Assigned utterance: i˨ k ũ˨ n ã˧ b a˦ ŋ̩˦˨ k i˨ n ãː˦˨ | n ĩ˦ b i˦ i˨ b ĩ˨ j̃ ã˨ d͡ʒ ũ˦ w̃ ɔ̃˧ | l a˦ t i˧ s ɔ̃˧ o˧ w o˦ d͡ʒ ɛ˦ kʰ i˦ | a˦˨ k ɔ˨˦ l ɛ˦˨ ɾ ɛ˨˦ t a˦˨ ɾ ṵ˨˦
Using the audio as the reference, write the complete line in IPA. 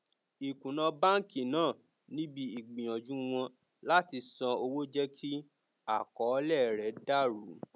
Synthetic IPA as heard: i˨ k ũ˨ n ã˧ b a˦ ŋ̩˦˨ k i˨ n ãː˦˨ | n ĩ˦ b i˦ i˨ ɡ͡b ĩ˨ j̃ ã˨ d͡ʒ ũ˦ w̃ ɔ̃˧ | l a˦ t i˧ s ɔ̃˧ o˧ w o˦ d͡ʒ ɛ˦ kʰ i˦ | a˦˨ k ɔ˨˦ l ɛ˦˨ ɾ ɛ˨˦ d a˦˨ ɾ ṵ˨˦